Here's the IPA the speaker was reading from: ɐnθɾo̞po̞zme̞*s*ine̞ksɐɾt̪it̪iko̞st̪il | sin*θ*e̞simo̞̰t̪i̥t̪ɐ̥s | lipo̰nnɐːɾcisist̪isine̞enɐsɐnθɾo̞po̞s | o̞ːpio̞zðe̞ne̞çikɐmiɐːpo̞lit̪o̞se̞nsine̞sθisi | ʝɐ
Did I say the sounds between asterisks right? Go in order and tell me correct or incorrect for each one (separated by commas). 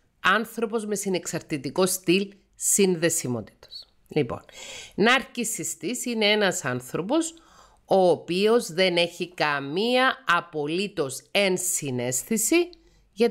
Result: correct, incorrect